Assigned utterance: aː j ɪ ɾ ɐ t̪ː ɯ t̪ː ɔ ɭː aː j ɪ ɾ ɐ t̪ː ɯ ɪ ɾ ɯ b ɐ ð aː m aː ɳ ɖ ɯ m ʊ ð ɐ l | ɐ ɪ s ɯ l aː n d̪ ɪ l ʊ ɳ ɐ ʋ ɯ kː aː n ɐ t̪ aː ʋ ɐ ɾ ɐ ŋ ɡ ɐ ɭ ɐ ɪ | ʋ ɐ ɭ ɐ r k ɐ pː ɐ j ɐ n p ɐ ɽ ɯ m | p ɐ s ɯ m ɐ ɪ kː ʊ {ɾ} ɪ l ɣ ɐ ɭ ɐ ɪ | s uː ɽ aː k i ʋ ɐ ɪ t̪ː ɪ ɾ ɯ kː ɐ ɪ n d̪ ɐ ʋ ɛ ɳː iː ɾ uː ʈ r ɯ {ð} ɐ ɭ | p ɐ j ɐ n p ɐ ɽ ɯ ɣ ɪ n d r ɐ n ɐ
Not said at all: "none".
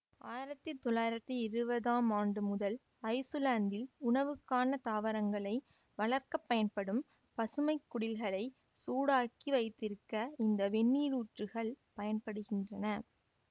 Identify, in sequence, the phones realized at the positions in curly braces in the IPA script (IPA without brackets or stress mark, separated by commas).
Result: ɽ, ɣ